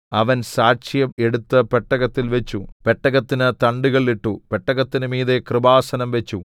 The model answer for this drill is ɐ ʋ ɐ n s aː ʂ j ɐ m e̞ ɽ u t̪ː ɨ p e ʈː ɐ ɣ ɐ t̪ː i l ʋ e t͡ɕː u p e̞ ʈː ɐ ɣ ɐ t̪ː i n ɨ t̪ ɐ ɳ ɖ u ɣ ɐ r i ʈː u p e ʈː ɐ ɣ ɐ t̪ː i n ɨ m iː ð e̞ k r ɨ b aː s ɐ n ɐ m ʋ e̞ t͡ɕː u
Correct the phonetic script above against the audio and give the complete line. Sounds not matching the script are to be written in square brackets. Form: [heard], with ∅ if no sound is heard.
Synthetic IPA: ɐ ʋ ɐ n s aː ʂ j ɐ m e̞ ɽ u t̪ː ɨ p e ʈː ɐ ɣ ɐ t̪ː i l ʋ e t͡ɕː u p e̞ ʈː ɐ ɣ ɐ t̪ː i n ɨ t̪ ɐ ɳ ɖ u ɣ ɐ [ɭ] i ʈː u p e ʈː ɐ ɣ ɐ t̪ː i n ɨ m iː ð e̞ k r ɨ b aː s ɐ n ɐ m ʋ e̞ t͡ɕː u